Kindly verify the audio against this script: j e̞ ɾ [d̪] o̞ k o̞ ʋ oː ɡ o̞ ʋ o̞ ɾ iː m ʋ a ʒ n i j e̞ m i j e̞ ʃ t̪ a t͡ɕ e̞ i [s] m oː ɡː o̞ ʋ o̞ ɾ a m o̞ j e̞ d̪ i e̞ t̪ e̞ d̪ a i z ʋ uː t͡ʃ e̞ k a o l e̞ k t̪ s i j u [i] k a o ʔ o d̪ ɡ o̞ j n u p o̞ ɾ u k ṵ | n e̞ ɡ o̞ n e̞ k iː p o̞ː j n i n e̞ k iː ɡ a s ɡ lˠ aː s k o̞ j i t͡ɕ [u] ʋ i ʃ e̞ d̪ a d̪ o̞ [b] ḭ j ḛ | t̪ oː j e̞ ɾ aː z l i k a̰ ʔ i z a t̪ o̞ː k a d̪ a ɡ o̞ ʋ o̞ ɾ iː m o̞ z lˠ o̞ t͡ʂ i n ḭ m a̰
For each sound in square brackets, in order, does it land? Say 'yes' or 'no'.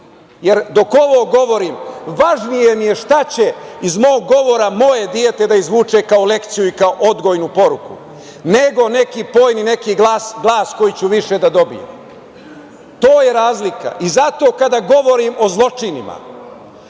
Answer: yes, no, yes, yes, yes

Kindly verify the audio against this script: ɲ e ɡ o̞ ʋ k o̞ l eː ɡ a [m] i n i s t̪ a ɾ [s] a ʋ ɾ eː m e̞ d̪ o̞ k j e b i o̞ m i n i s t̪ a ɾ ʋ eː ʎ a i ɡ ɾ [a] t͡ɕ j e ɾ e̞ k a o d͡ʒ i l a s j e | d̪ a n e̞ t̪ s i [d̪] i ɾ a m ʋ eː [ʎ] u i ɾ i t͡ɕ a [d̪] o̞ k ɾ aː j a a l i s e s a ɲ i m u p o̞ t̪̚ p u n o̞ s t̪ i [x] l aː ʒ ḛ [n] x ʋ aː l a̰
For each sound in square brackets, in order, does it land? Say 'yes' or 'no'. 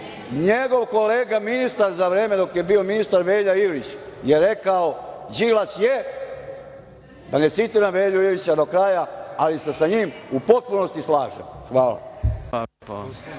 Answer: yes, no, no, no, yes, yes, no, no

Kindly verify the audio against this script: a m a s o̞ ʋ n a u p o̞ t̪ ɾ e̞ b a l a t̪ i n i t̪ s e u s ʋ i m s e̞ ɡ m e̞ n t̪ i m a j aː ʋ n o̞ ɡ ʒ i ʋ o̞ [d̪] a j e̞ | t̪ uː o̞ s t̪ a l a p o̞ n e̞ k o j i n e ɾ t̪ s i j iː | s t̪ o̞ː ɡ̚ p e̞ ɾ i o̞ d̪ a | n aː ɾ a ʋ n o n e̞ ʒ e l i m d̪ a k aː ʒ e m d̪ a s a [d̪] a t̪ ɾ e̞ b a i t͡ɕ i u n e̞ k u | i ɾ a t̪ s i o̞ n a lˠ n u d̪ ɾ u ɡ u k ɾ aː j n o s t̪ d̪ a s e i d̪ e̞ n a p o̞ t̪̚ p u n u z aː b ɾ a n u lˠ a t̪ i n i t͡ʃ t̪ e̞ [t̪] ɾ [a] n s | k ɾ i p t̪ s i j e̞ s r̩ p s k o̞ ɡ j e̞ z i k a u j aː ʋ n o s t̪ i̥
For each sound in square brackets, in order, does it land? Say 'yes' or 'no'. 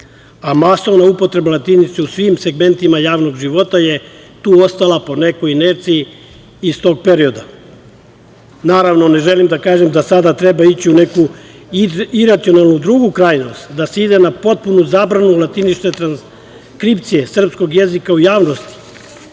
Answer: no, yes, yes, yes

